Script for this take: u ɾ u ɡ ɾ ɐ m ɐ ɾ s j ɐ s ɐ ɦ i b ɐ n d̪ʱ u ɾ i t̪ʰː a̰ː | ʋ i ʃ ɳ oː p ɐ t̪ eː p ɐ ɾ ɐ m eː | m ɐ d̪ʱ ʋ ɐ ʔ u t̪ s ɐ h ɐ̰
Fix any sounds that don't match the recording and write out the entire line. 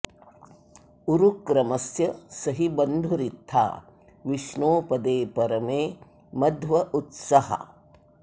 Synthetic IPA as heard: u ɾ u k ɾ ɐ m ɐ s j ɐ s ɐ ɦ i b ɐ n d̪ʱ u ɾ i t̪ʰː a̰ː | ʋ i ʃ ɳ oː p ɐ d̪ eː p ɐ ɾ ɐ m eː | m ɐ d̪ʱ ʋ ɐ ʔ u t̪ s ɐ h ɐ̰